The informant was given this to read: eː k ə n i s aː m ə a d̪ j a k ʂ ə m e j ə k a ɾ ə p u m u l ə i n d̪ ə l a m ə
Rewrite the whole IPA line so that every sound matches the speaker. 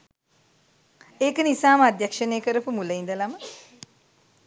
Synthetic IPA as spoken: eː k ə n i s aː m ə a d̪ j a k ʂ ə n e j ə k ə ɾ ə p u m u l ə i n d̪ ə l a m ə